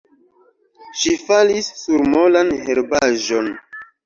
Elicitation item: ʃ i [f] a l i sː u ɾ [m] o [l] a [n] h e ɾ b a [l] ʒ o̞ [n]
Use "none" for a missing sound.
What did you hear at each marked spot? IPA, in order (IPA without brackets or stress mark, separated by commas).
f, m, l, n, none, n